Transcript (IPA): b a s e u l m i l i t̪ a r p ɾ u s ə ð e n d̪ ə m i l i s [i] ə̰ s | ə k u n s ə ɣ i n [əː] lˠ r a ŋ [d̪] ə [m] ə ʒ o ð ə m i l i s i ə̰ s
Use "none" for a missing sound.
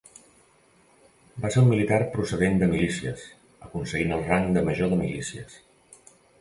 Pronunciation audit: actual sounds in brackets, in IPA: i, ə, d̪, m

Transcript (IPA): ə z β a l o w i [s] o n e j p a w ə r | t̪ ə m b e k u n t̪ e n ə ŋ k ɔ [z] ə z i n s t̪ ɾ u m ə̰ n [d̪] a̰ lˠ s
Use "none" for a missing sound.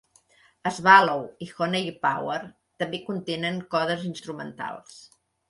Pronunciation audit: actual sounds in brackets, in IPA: x, ð, t̪

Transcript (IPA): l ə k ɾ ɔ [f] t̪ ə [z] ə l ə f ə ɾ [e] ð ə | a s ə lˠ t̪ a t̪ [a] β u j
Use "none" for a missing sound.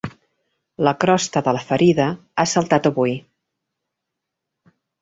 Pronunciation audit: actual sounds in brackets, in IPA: s, ð, i, ə

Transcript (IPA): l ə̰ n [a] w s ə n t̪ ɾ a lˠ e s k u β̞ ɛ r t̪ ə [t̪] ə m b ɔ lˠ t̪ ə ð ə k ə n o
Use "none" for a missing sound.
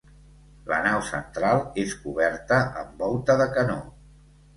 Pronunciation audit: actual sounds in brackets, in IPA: a, none

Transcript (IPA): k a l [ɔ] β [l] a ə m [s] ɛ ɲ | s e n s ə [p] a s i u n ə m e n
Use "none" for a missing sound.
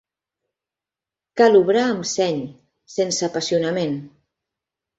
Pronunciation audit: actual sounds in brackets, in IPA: u, ɾ, s, p

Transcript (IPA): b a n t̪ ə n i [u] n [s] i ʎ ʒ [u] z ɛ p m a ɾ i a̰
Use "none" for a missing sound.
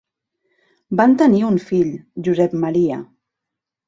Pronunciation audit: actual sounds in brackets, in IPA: u, f, u

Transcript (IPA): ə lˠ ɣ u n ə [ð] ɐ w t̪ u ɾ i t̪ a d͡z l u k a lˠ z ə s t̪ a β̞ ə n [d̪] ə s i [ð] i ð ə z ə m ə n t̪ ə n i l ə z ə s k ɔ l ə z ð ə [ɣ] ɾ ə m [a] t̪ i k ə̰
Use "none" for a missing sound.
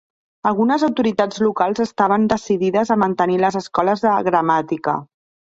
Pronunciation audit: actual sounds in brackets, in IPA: z, d̪, ð, ɣ, a

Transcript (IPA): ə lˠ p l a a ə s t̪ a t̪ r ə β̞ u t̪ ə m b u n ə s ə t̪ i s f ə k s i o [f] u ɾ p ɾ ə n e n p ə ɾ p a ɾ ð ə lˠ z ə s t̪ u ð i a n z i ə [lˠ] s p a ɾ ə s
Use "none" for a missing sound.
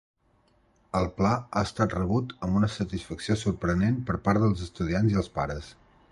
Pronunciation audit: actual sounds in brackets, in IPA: s, lˠ

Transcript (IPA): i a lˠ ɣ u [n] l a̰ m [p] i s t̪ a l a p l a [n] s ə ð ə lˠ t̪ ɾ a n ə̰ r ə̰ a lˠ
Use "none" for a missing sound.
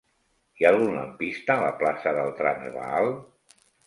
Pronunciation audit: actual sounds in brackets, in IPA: n, p, none

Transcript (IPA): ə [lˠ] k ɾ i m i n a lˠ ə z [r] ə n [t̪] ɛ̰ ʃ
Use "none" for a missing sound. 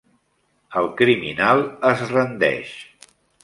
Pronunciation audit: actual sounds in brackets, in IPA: lˠ, r, d̪

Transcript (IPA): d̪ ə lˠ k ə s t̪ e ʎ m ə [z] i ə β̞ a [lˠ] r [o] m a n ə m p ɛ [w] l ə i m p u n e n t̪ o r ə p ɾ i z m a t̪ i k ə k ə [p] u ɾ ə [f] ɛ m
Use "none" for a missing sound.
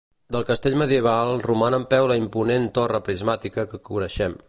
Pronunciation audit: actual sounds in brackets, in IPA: ð, lˠ, u, w, k, ʃ

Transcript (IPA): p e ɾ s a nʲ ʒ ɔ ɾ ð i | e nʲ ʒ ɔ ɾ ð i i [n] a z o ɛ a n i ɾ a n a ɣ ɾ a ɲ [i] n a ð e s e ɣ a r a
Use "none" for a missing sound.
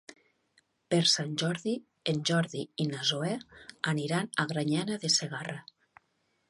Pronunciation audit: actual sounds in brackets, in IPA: n, a

